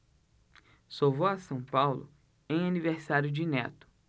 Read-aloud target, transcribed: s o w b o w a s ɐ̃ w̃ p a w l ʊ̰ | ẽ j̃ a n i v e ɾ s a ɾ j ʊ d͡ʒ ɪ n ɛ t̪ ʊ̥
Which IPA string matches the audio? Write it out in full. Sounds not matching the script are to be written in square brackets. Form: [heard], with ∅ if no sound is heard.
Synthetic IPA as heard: s o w [v] o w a s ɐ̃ w̃ p a w l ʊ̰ | ẽ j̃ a n i v e ɾ s a ɾ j ʊ d͡ʒ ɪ n ɛ t̪ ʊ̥